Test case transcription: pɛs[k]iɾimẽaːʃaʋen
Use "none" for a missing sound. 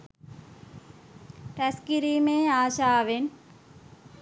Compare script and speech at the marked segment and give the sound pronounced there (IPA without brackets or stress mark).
k